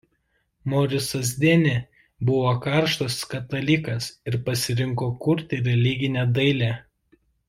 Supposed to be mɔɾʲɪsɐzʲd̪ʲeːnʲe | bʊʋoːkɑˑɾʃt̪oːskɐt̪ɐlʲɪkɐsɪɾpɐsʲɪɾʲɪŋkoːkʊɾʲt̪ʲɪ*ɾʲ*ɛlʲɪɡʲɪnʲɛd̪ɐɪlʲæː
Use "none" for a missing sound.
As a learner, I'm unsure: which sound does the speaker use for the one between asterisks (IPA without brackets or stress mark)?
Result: ɾʲ